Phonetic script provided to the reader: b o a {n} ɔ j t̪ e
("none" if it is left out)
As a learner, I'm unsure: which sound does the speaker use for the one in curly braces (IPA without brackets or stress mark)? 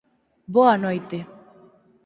n